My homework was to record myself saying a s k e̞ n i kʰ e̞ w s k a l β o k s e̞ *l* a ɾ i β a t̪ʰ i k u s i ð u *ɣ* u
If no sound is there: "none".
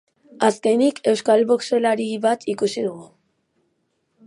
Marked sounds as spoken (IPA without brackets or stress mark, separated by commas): l, ɣ